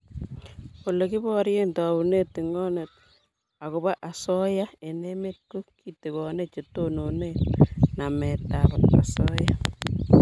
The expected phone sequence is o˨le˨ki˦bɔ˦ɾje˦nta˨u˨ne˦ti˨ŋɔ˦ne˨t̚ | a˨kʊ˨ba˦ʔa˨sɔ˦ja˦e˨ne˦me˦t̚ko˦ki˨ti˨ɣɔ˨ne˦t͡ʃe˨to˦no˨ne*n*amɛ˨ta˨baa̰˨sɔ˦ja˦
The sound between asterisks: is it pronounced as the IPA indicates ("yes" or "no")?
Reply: yes